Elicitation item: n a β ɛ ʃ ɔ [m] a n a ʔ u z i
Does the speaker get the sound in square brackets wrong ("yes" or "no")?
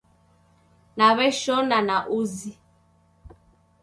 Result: yes